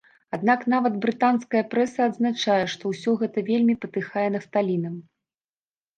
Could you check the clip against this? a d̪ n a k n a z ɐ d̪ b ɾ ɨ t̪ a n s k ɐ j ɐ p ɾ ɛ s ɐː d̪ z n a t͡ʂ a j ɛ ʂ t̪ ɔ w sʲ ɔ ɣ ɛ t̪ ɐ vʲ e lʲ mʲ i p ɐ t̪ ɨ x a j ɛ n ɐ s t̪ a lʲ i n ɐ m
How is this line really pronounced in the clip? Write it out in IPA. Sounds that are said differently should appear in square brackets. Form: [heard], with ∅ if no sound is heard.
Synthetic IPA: a d̪ n a k n a [v] ɐ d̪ b ɾ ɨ t̪ a n s k ɐ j ɐ p ɾ ɛ s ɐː d̪ z n a t͡ʂ a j ɛ ʂ t̪ ɔ w sʲ ɔ ɣ ɛ t̪ ɐ vʲ e lʲ mʲ i p ɐ t̪ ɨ x a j ɛ n ɐ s t̪ a lʲ i n ɐ m